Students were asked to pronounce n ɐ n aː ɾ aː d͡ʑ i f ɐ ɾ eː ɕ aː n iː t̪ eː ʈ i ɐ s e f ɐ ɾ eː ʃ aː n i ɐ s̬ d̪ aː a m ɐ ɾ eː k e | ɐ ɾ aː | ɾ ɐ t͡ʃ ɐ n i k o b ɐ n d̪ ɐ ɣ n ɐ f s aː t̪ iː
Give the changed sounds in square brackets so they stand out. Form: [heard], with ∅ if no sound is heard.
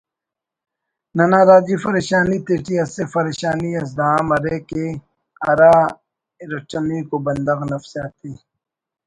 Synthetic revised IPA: n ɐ n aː ɾ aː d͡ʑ i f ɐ ɾ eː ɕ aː n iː t̪ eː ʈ i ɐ s e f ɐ ɾ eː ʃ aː n i ɐ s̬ d̪ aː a m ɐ ɾ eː k e | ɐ ɾ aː | ɾ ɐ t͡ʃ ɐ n i k o b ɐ n d̪ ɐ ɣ n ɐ f s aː t̪ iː